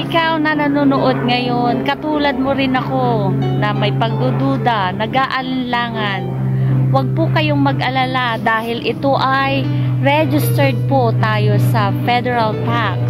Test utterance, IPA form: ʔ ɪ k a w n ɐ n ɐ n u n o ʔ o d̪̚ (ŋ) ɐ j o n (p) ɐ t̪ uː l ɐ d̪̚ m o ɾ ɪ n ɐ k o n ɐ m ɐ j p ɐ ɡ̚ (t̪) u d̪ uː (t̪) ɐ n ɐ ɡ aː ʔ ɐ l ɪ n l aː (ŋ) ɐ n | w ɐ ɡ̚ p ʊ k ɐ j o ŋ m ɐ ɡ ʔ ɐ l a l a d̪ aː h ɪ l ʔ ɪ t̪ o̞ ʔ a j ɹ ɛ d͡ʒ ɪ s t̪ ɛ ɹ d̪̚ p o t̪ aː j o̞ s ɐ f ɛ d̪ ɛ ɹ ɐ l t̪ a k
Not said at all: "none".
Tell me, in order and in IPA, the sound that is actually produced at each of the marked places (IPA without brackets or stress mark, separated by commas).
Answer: ŋ, k, d̪, d̪, ŋ